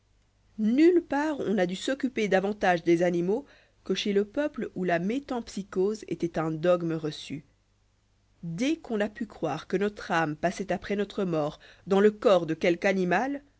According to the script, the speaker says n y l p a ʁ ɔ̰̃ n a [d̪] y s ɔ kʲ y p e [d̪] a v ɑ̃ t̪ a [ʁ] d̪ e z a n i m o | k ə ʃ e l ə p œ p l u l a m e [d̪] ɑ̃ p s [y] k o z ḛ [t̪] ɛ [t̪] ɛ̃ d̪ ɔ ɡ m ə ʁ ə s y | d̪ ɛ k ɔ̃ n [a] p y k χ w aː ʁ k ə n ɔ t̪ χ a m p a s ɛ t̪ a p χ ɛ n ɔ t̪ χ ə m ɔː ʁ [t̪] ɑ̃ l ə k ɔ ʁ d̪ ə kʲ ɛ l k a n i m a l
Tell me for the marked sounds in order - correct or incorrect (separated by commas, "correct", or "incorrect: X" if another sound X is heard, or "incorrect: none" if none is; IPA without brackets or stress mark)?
correct, correct, incorrect: ʒ, incorrect: t̪, incorrect: i, correct, correct, correct, incorrect: d̪